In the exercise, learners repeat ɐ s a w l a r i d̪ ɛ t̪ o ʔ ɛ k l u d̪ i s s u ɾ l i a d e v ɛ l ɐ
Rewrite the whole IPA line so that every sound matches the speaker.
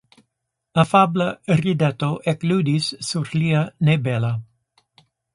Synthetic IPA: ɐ f a b l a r i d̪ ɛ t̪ o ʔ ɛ k l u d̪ i s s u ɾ l i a n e b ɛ l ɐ